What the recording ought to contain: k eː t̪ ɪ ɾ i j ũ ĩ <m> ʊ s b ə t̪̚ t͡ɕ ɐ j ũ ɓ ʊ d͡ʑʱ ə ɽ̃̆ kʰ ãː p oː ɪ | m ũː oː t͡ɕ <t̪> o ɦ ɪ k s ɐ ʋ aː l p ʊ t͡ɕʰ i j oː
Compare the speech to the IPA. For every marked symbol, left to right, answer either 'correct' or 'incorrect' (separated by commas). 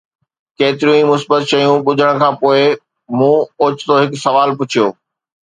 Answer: correct, correct